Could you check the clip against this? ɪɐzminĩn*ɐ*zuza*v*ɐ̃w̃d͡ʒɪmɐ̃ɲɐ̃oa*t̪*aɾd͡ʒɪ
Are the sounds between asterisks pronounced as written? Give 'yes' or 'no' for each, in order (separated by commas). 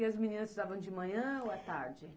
yes, yes, yes